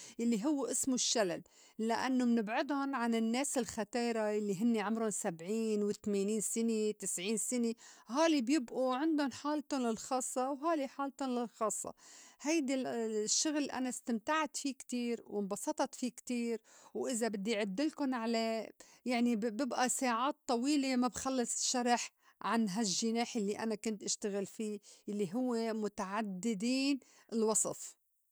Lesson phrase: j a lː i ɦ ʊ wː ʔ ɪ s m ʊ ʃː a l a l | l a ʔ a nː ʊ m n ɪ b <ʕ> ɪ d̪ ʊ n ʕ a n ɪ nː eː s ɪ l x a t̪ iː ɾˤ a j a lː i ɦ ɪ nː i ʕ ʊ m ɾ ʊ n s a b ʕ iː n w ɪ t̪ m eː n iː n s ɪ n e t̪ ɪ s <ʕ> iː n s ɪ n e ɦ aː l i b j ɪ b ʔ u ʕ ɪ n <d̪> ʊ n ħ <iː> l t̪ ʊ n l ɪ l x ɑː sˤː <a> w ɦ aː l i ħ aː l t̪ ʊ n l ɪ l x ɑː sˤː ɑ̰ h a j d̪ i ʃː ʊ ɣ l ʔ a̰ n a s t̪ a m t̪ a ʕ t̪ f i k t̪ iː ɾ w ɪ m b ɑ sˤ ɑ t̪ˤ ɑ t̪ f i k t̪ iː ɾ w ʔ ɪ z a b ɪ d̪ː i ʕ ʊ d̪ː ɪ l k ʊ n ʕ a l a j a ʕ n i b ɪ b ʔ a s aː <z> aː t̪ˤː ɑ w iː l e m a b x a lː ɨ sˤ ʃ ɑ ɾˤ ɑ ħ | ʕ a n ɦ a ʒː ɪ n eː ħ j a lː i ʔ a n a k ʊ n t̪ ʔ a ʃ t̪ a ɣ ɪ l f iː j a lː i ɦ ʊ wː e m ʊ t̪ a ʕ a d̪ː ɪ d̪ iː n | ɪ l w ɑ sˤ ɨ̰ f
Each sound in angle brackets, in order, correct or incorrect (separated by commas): correct, correct, correct, incorrect, incorrect, incorrect